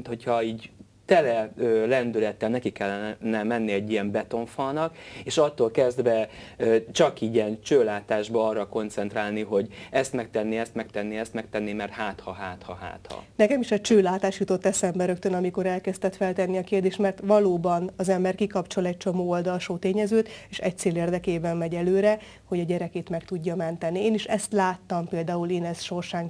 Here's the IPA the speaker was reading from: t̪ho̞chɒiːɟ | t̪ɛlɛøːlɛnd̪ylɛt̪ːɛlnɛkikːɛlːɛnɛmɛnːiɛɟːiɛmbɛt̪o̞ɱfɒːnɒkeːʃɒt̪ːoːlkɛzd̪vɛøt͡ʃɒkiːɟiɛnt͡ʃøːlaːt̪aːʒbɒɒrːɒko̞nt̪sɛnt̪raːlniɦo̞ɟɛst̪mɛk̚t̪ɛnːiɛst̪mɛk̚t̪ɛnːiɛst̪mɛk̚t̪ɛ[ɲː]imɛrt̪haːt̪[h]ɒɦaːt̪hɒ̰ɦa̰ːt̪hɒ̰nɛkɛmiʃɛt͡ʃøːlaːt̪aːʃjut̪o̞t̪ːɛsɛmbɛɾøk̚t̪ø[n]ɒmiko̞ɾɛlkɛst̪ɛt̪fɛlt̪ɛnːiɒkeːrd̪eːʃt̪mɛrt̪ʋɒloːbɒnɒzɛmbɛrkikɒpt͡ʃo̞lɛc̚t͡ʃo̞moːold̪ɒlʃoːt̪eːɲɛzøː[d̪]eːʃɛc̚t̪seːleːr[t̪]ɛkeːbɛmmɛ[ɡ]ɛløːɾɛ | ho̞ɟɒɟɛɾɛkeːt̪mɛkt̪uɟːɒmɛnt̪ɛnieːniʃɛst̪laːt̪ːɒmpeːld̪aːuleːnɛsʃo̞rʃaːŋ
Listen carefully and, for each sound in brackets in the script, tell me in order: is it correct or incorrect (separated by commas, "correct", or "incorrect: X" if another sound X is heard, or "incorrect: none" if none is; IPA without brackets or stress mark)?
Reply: incorrect: nː, correct, correct, incorrect: t̪, incorrect: d̪, incorrect: ɟ